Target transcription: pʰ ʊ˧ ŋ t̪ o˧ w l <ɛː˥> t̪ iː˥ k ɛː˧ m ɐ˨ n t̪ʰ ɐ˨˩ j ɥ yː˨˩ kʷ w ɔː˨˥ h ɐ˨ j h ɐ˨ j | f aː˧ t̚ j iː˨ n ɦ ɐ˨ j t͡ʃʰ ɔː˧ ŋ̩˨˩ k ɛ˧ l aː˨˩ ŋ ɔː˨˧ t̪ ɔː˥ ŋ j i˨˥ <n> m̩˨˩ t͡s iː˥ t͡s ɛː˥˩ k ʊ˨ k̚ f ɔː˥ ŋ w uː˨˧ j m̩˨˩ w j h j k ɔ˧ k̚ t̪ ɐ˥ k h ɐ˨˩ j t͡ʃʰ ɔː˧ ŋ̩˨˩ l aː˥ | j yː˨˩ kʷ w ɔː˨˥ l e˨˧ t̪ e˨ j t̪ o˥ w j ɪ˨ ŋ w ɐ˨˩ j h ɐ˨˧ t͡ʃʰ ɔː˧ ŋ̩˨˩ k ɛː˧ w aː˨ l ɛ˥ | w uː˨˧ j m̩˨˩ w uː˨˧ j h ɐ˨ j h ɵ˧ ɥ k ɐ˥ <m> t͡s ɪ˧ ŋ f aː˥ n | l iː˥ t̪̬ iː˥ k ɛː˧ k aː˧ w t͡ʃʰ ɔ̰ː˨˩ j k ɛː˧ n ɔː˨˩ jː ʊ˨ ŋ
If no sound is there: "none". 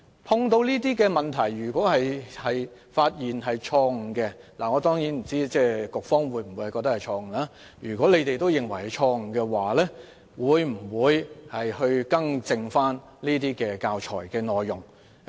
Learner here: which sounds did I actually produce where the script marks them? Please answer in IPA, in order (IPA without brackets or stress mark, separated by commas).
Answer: iː˥, n, ŋ